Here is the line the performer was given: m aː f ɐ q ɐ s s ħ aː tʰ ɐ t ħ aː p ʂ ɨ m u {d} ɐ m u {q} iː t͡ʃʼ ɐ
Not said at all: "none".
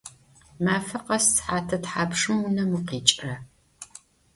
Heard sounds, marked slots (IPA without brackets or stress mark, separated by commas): n, q